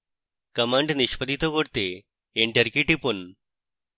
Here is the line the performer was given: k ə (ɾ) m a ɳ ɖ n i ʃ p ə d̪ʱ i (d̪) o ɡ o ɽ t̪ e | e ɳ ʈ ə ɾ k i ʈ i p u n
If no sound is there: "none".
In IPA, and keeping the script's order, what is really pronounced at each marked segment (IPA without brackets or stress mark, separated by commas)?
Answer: none, t̪